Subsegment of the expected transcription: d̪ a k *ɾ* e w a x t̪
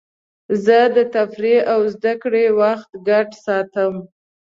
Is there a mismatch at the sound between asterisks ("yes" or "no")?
yes